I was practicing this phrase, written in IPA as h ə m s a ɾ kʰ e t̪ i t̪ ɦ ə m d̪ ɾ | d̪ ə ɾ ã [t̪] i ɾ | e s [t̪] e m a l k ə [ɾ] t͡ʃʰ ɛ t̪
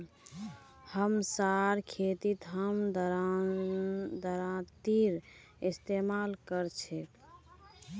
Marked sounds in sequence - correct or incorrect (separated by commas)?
correct, correct, correct